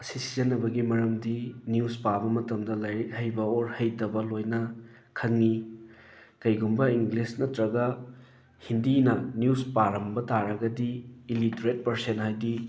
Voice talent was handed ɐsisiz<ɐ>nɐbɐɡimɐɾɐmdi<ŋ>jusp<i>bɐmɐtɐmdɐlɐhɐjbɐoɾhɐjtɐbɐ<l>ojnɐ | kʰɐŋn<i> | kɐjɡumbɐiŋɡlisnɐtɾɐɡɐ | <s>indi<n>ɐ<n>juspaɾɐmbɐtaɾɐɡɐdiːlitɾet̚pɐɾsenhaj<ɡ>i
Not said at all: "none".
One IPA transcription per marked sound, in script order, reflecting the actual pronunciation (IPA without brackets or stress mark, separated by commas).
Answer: ɐ, n, a, l, i, h, n, n, d